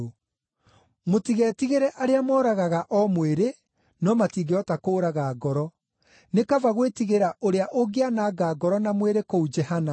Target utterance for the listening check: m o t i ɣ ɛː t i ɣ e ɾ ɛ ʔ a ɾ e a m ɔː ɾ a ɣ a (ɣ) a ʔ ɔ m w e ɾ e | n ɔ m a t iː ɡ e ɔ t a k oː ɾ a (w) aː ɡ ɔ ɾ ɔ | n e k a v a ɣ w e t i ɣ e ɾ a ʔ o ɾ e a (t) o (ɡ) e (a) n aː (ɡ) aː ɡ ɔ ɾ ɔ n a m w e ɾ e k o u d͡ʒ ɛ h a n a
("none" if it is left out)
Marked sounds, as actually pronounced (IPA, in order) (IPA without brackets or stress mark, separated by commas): ɣ, ɣ, ʔ, ɡ, a, ɡ